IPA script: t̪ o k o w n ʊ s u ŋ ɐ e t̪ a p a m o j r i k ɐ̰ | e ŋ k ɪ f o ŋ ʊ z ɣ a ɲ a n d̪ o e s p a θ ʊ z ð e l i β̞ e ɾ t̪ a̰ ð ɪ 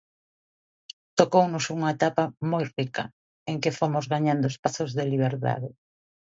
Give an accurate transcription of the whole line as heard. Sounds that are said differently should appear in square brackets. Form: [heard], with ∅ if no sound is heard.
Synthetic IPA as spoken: t̪ o k o w n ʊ s u ŋ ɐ e t̪ a p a m o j r i k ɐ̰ | e ŋ k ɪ f o [m] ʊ z ɣ a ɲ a n d̪ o e s p a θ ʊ z ð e l i β̞ e ɾ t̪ a̰ ð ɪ